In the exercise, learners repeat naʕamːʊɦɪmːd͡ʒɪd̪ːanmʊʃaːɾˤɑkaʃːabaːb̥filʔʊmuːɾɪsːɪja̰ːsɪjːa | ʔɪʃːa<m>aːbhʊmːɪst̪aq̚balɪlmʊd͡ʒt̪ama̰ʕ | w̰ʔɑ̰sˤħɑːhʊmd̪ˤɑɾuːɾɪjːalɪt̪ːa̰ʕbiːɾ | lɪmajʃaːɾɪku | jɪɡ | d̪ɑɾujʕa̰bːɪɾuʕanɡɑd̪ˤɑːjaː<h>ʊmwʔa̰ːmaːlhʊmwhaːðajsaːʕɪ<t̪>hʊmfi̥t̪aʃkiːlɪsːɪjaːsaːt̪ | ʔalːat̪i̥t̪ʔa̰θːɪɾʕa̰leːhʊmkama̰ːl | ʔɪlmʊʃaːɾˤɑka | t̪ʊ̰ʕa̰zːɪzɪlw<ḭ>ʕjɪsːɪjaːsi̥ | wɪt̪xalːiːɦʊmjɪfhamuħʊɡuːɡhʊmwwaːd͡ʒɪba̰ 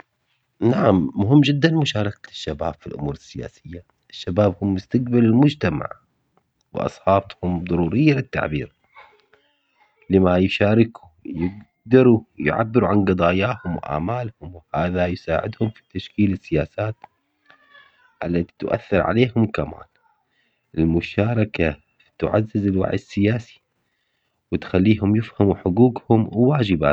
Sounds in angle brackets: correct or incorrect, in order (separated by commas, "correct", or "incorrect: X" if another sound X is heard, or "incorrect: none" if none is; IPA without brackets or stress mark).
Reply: incorrect: b, correct, incorrect: d̪, incorrect: a̰